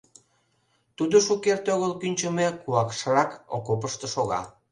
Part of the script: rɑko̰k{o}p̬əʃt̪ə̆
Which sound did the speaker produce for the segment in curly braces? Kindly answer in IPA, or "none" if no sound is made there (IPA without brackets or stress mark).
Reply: o